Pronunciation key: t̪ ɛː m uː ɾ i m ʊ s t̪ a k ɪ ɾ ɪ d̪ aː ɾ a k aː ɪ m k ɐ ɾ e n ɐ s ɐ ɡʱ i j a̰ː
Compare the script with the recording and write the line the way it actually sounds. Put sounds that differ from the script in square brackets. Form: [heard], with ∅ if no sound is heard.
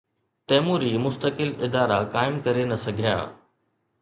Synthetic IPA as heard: t̪ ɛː m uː ɾ i m ʊ s t̪ [ə] k ɪ [l] ɪ d̪ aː ɾ a k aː ɪ m k ɐ ɾ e n ɐ s ɐ ɡʱ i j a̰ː

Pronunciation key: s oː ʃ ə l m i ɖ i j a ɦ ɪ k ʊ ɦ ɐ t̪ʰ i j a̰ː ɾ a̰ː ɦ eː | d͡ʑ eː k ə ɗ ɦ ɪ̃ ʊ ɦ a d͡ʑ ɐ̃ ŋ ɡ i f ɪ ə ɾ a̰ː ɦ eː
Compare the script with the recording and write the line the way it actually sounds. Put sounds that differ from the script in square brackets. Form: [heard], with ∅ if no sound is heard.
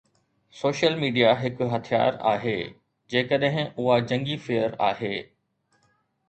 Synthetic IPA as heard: s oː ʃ ə l m [iː] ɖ i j a ɦ ɪ k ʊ ɦ ɐ t̪ʰ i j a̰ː ɾ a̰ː ɦ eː | d͡ʑ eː k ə ɗ ɦ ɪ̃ ʊ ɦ a d͡ʑ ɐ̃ ŋ ɡ i f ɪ ə ɾ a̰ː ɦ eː

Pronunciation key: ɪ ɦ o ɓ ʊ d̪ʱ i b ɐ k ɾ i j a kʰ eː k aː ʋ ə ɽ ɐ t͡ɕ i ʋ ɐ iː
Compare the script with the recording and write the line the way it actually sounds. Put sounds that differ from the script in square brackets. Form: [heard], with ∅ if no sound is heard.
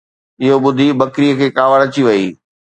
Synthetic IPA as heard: ɪ ɦ o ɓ ʊ d̪ʱ i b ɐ k ɾ i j [ə] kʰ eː k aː ʋ ə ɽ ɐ t͡ɕ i ʋ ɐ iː

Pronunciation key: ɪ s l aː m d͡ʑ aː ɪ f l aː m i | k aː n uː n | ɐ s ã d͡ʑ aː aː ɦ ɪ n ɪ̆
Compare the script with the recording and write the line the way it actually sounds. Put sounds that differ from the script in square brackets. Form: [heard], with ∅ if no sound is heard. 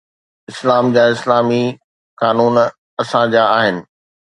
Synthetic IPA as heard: ɪ s l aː m d͡ʑ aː ɪ [s] l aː m i | k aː n uː n | ɐ s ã d͡ʑ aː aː ɦ ɪ n ɪ̆

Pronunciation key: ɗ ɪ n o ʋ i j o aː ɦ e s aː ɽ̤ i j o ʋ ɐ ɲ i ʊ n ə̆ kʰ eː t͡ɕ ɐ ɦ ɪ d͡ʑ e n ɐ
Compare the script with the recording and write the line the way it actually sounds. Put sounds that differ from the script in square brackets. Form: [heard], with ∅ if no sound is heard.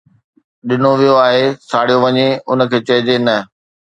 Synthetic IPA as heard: ɗ ɪ n o ʋ i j o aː ɦ e s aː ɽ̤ i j o ʋ ɐ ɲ [e] ʊ n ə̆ kʰ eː t͡ɕ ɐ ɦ ɪ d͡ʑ e n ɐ

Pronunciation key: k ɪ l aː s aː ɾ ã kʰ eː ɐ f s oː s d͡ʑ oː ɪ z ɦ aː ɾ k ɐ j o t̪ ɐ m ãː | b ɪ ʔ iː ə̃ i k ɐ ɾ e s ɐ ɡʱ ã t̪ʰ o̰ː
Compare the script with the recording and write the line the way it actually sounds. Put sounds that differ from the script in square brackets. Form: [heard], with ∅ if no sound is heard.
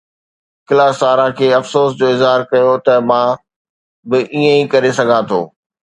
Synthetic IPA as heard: k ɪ l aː s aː ɾ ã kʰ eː ɐ f s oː s d͡ʑ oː ɪ z ɦ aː ɾ k ɐ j o t̪ ɐ m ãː | b ɪ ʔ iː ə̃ i k ɐ ɾ e s ɐ ɡʱ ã t̪ʰ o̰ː

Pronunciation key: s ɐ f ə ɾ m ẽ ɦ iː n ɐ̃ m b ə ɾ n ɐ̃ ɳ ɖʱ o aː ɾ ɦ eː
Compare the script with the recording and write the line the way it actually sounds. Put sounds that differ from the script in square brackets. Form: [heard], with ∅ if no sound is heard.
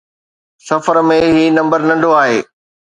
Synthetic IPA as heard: s ɐ f ə ɾ m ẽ ɦ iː n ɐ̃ m b ə ɾ n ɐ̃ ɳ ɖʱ o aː [∅] ɦ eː

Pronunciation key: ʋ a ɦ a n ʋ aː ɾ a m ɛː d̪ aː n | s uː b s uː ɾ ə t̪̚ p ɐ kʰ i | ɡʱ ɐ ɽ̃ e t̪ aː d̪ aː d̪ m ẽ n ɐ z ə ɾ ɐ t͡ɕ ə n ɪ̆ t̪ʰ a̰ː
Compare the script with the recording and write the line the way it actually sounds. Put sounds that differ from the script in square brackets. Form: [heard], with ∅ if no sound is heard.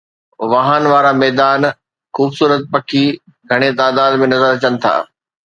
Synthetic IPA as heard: ʋ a ɦ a n ʋ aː ɾ a m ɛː d̪ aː n | [x] uː b s uː ɾ ə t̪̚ p ɐ kʰ i | ɡʱ ɐ ɽ̃ e t̪ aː d̪ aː d̪ m ẽ n ɐ z ə ɾ ɐ t͡ɕ ə n ɪ̆ t̪ʰ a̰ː

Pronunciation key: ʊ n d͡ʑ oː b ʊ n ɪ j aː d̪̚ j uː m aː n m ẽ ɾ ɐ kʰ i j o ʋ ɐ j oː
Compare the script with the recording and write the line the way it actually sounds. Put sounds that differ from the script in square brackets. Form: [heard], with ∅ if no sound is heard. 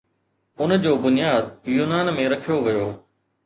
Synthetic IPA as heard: ʊ n d͡ʑ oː b ʊ n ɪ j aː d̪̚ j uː [n] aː n m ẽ ɾ ɐ kʰ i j o ʋ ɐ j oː

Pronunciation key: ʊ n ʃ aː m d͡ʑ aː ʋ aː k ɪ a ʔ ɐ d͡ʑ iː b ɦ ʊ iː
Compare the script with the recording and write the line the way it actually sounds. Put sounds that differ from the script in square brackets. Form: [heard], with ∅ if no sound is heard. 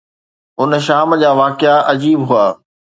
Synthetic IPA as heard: ʊ n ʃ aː m d͡ʑ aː ʋ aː k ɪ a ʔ ɐ d͡ʑ iː b ɦ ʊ [aː]

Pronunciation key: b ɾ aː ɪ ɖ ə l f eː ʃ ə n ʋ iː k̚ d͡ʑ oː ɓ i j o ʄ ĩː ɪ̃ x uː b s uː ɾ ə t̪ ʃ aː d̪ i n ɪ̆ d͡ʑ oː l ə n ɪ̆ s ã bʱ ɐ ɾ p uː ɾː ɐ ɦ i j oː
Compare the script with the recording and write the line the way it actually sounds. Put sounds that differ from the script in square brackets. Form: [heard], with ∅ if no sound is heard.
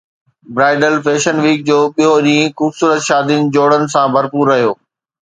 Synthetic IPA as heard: b ɾ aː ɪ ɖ ə l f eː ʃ ə n ʋ iː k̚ d͡ʑ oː ɓ i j o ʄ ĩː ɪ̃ x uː b s uː ɾ ə t̪ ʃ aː d̪ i n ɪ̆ d͡ʑ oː [ɽ] ə n ɪ̆ s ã bʱ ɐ ɾ p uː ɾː ɐ ɦ i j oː

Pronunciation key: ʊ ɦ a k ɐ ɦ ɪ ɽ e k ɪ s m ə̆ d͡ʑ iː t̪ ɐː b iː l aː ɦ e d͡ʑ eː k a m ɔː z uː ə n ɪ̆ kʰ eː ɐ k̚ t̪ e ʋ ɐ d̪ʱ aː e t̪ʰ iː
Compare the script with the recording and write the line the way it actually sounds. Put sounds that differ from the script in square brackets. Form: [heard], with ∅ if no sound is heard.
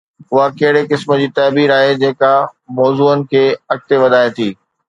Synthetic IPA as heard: ʊ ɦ a k ɐ ɦ ɪ ɽ e k ɪ s m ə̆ d͡ʑ iː t̪ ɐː b iː [ɾ] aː ɦ e d͡ʑ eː k a m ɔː z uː ə n ɪ̆ kʰ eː ɐ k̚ t̪ e ʋ ɐ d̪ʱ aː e t̪ʰ iː

